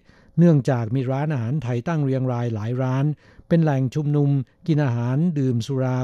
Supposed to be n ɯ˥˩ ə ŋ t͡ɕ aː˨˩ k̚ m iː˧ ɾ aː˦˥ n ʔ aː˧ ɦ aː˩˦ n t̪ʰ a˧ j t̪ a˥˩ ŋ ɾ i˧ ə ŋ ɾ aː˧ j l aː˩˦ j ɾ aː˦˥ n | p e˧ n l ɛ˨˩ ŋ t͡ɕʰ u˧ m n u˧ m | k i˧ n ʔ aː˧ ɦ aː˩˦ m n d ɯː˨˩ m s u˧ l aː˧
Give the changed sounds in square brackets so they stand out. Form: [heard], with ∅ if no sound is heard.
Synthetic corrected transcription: n ɯ˥˩ ə ŋ t͡ɕ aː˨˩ k̚ m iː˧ ɾ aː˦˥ n ʔ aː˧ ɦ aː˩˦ n t̪ʰ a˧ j t̪ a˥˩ ŋ ɾ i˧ ə ŋ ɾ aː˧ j l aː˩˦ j ɾ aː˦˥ n | p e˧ n l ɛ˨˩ ŋ t͡ɕʰ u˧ m n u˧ m | k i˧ n ʔ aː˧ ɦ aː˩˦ [∅] n d ɯː˨˩ m s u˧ [ɾ] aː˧